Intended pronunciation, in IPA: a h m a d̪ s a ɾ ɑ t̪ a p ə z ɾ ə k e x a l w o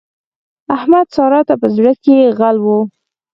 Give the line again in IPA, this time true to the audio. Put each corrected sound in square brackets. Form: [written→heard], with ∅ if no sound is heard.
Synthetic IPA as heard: a h m a d̪ s [a→ɑ] ɾ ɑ t̪ a p ə z [ɾ→ɽ] ə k e [x→ɣ] a l w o

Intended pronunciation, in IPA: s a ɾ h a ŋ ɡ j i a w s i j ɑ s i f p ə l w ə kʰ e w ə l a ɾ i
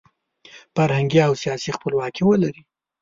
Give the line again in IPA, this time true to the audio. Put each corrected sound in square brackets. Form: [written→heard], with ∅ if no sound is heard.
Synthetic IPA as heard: [s→f] a ɾ h a ŋ ɡ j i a w s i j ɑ s i [f→x] p ə l w [ə→ɑ] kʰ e w ə l a ɾ i

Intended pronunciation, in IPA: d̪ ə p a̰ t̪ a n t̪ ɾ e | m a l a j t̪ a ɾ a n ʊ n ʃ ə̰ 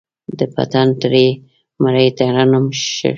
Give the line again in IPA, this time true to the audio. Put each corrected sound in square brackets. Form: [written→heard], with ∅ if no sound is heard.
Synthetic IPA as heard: d̪ ə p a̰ t̪ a n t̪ ɾ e | m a [l→ɾ] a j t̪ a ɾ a n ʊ [n→m] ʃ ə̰

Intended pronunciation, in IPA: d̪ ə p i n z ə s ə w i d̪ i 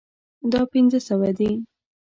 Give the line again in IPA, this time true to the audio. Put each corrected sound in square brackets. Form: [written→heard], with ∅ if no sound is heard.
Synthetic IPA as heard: d̪ [ə→ɑ] p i n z ə s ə w [i→a] d̪ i

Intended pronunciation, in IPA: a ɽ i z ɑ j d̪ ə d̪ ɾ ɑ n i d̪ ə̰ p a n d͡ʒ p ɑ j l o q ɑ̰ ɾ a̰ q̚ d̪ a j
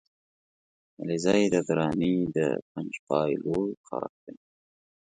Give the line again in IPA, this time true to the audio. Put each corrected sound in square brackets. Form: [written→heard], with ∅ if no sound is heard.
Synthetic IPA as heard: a [ɽ→l] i z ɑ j d̪ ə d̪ ɾ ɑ n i d̪ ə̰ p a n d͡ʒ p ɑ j l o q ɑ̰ ɾ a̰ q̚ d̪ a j

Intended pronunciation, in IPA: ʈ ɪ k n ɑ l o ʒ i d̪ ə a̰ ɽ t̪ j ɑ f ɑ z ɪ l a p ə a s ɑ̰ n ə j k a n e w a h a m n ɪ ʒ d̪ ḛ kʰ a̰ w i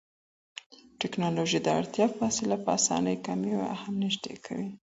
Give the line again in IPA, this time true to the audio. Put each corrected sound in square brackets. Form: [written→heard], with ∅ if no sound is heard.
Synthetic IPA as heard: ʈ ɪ k n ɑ l o ʒ i d̪ ə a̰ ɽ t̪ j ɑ f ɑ [z→s] ɪ l a p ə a s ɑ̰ n ə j k a [n→m] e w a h a m n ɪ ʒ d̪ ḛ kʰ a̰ w i

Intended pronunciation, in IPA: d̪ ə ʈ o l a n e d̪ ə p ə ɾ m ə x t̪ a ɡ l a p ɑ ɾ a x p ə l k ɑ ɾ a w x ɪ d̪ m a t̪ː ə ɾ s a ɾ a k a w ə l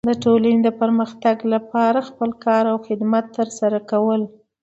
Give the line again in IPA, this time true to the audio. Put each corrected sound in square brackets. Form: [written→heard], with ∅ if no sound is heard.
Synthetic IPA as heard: d̪ ə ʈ o l a n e d̪ ə p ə ɾ m ə x t̪ a ɡ l a p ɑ ɾ a x p ə l k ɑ ɾ a w x ɪ d̪ m a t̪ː ə ɾ s a ɾ a k a w ə l

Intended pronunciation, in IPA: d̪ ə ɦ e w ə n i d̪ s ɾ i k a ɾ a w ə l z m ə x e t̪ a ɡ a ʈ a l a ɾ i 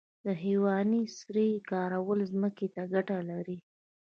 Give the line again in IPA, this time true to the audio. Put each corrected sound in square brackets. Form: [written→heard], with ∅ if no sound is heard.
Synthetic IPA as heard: d̪ ə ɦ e w [ə→ɑ] n i [d̪→∅] s ɾ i k [a→ɑ] ɾ a w ə l z m ə [x→k] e t̪ a ɡ a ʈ a l a ɾ i

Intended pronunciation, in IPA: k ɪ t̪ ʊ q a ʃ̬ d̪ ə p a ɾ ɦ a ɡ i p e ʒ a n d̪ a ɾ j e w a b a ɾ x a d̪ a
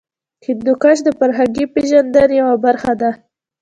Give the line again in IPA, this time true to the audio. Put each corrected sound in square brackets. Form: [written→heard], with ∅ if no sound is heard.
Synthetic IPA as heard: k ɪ [t̪→d̪] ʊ [q→k] a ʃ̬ d̪ ə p a ɾ ɦ a ɡ i p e ʒ a n d̪ a ɾ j [e→a] w a b a ɾ x a d̪ a

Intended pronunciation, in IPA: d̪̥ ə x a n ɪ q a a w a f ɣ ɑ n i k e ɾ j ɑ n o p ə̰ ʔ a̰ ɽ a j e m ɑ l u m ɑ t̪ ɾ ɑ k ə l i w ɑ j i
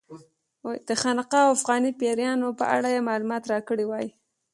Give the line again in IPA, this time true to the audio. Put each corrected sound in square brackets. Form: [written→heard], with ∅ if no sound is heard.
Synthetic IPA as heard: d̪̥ ə x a n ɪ q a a w a f ɣ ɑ n i [k→p] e ɾ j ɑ n o p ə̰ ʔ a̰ ɽ a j e m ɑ l u m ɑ t̪ ɾ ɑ k ə [l→ɽ] i w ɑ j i

